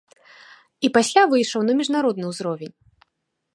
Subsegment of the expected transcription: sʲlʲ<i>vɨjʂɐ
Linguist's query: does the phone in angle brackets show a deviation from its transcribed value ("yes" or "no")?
yes